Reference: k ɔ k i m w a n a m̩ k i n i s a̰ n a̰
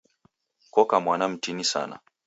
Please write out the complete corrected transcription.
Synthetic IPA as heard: k ɔ k a m w a n a m̩ t i n i s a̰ n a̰